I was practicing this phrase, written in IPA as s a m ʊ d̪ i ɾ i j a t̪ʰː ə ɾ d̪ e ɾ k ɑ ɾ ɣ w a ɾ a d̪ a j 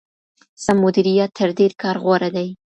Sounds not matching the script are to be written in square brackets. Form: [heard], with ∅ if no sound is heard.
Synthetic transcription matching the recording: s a m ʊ d̪ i ɾ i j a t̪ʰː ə ɾ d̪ e ɾ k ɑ ɾ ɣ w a ɾ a d̪ a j